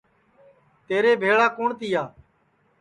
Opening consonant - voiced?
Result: no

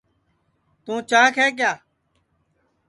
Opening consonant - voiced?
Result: no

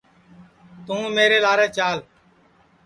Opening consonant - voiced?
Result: no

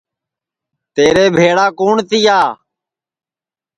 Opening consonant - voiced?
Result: no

